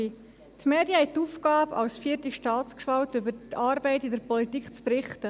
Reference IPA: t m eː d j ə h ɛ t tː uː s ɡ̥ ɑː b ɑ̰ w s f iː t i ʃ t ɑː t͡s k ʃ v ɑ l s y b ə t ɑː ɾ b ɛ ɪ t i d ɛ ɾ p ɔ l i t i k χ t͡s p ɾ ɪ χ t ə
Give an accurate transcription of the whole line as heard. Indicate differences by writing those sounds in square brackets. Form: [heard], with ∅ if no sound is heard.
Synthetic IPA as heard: t m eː d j ə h ɛ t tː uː [f] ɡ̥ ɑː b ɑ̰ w s f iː t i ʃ t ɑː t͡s k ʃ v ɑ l [t] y b ə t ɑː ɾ b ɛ ɪ t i d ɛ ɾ p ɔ l i t i k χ t͡s p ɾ ɪ χ t ə